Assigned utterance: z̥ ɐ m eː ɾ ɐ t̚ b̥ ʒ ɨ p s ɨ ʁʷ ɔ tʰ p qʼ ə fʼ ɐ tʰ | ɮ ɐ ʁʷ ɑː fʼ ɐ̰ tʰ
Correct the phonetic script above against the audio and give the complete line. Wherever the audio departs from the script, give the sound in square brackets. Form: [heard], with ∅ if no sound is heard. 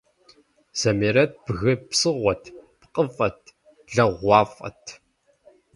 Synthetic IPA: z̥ ɐ m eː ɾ ɐ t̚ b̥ [ɣ] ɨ p s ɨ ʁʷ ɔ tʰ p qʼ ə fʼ ɐ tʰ | ɮ ɐ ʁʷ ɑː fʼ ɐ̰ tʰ